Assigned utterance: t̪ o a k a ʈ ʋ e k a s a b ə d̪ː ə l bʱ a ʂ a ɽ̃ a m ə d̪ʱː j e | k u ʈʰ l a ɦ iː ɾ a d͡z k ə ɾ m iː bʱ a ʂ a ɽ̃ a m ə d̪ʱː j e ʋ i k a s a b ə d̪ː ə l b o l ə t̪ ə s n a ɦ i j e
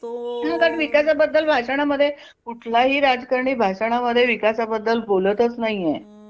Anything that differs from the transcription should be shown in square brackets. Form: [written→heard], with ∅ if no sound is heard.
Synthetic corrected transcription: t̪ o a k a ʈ ʋ [e→i] k a s a b ə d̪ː ə l bʱ a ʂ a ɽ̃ a m ə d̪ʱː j e | k u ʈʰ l a ɦ iː ɾ a d͡z k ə ɾ [m→ɳ] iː bʱ a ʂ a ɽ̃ a m ə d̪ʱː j e ʋ i k a s a b ə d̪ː ə l b o l ə t̪ ə [s→t͡s] n a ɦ i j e